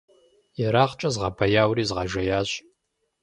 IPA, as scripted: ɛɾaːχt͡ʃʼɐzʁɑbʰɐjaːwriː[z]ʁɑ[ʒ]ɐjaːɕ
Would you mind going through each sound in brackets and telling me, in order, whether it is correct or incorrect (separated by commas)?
correct, correct